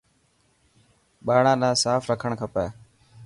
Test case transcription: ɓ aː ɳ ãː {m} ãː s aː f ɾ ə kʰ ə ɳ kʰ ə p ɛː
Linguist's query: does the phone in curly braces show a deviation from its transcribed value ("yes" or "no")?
yes